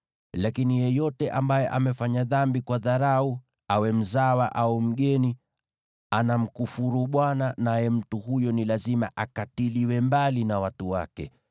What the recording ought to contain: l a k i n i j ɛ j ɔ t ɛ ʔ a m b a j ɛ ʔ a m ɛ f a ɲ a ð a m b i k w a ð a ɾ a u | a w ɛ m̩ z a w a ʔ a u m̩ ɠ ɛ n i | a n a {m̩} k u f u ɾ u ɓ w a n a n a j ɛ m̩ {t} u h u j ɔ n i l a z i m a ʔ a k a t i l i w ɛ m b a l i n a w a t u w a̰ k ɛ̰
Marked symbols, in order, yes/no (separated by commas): yes, yes